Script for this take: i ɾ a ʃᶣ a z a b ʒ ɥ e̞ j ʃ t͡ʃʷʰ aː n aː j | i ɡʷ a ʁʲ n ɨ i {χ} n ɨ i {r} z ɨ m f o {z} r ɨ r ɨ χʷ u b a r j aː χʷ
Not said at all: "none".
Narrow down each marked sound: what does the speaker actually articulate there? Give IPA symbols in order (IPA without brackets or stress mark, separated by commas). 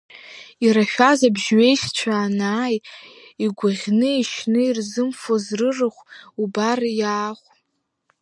ʃ, r, z